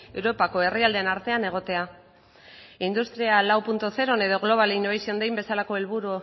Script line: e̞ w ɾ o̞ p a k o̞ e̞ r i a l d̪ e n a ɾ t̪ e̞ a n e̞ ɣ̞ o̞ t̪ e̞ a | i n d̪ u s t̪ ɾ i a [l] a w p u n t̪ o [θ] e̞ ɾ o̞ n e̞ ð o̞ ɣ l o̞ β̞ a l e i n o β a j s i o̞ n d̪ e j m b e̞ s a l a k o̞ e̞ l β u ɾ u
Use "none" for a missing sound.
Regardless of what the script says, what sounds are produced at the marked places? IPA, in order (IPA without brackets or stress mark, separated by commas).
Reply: l, θ